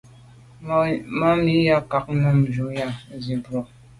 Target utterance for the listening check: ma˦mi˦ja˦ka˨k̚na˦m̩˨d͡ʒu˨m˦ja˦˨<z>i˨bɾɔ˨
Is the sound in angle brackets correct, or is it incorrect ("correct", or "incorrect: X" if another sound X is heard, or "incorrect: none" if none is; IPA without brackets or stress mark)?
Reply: correct